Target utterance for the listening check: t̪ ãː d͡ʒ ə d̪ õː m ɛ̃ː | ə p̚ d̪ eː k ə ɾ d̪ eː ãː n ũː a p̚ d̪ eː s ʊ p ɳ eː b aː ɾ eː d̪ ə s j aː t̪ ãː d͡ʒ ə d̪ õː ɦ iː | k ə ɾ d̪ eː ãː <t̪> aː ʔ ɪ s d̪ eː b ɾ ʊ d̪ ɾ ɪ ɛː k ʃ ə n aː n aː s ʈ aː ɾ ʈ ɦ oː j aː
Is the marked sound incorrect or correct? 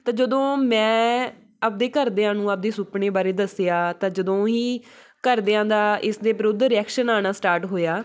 incorrect